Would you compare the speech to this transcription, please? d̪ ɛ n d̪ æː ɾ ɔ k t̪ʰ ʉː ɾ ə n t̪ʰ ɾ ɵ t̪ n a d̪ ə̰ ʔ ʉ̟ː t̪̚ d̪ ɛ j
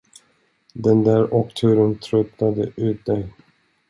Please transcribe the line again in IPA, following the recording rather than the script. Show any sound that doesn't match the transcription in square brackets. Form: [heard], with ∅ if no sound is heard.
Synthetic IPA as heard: d̪ ɛ n d̪ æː ɾ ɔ k t̪ʰ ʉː ɾ ə n t̪ʰ ɾ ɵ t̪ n a d̪ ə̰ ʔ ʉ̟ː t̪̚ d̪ ɛ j